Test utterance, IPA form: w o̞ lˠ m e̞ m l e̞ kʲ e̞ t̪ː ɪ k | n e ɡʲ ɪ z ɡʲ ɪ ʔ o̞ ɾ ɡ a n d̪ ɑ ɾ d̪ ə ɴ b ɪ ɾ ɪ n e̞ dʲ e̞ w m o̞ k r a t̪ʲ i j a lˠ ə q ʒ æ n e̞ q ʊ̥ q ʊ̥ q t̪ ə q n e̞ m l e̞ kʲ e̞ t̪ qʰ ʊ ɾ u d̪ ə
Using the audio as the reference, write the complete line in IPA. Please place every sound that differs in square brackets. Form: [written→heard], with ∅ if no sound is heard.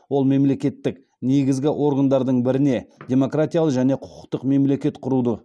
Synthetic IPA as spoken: w o̞ lˠ m e̞ m l e̞ kʲ e̞ t̪ː ɪ k | n e ɡʲ ɪ z ɡʲ ɪ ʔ o̞ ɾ ɡ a n d̪ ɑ ɾ d̪ ə ɴ b ɪ ɾ ɪ n e̞ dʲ e̞ [w→∅] m o̞ k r a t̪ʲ i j a lˠ ə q ʒ æ n e̞ [q→qʰ] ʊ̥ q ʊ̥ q t̪ ə q [n→m] e̞ m l e̞ kʲ e̞ t̪ qʰ ʊ ɾ u d̪ ə

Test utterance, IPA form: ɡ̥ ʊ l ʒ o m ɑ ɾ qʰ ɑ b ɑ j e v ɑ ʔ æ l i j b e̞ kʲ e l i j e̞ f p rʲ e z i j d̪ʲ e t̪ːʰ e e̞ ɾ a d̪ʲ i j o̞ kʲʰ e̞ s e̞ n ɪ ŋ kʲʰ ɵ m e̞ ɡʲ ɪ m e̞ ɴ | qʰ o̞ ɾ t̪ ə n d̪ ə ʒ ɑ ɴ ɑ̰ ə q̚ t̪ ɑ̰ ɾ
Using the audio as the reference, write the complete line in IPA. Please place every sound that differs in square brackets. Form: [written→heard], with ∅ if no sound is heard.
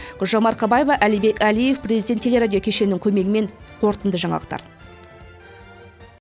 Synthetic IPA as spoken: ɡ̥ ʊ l ʒ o m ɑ ɾ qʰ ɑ b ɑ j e v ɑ ʔ æ l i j b e̞ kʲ [e→æ] l i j e̞ f p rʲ e z i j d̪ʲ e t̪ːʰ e e̞ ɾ a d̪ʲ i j o̞ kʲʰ e̞ [s→ʃ] e̞ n ɪ ŋ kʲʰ ɵ m e̞ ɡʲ ɪ m e̞ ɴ | qʰ o̞ ɾ t̪ ə n d̪ ə ʒ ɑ ɴ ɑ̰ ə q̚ t̪ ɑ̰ ɾ

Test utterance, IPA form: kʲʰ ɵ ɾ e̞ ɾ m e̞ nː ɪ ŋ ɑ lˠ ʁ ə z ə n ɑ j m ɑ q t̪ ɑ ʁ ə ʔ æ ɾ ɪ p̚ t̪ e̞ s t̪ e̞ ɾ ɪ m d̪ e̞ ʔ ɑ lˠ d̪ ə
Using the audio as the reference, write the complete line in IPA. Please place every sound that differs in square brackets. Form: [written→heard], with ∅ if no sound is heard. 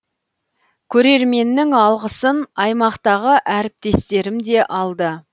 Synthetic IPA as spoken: kʲʰ ɵ ɾ e̞ ɾ m e̞ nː ɪ ŋ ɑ lˠ ʁ ə [z→s] ə n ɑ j m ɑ q t̪ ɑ ʁ ə ʔ æ ɾ ɪ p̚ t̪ e̞ s t̪ e̞ ɾ ɪ m d̪ e̞ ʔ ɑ lˠ d̪ ə

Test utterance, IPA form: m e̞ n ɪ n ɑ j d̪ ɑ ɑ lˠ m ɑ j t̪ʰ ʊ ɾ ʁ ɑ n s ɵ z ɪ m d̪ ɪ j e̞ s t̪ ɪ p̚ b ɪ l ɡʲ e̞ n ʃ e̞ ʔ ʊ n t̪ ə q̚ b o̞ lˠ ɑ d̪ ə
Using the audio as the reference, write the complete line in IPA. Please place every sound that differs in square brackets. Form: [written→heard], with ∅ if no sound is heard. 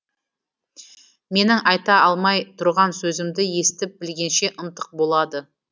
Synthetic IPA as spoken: m e̞ n ɪ [n→ŋ] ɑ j [d̪→t̪] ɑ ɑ lˠ m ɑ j t̪ʰ ʊ ɾ ʁ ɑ n s ɵ z ɪ m d̪ ɪ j e̞ s t̪ ɪ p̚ b ɪ l ɡʲ e̞ n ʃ e̞ ʔ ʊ n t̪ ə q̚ b o̞ lˠ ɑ d̪ ə

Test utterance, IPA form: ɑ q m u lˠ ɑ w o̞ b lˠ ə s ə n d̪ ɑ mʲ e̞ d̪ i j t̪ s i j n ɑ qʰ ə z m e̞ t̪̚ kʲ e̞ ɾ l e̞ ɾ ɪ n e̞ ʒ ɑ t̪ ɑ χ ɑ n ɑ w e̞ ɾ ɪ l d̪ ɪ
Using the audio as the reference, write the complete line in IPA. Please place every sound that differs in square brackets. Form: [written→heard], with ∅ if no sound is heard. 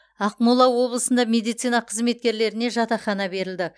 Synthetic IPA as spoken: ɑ q m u lˠ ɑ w o̞ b lˠ ə s ə n d̪ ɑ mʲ e̞ d̪ i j t̪ s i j n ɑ qʰ ə z m e̞ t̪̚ kʲ e̞ ɾ l e̞ ɾ ɪ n e̞ ʒ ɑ t̪ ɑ χ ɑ n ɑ [w→b] e̞ ɾ ɪ l d̪ ɪ

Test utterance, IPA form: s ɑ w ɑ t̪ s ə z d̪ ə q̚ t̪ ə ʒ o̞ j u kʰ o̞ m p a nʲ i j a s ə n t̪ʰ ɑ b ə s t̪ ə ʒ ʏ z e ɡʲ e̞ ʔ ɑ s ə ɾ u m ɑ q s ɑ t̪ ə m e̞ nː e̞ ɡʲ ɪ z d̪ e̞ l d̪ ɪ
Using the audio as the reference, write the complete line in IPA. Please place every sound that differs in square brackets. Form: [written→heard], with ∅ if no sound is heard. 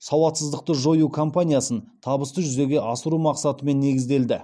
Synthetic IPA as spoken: s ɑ w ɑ t̪ s ə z d̪ ə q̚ t̪ ə ʒ o̞ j u kʰ o̞ m p a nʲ i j a s ə n t̪ʰ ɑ b ə s t̪ ə ʒ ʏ z e ɡʲ e̞ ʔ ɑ s ə ɾ u m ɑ q s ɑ t̪ ə m e̞ nː e̞ ɡʲ ɪ z d̪ e̞ l d̪ ɪ

